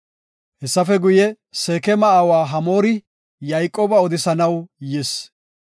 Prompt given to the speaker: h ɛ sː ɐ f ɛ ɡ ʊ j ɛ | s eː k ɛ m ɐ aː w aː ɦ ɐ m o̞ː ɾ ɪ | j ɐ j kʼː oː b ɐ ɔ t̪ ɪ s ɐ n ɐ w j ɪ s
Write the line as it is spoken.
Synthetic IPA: h ɛ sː ɐ f ɛ ɡ ʊ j ɛ | s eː k ɛ m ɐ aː w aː ɦ ɐ m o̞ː ɾ ɪ | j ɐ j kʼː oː b ɐ ɔ d̪ ɪ s ɐ n ɐ w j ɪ s